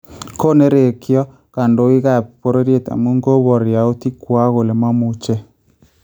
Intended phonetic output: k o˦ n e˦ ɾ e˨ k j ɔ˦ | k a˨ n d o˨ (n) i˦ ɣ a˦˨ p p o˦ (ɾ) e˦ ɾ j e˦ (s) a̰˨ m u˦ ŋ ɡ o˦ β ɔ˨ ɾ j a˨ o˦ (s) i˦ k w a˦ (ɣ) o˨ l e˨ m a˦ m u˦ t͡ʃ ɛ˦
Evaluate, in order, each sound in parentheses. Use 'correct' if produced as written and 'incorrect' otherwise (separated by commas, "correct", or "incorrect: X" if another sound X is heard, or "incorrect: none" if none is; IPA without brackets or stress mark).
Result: incorrect: none, correct, incorrect: t, incorrect: t, correct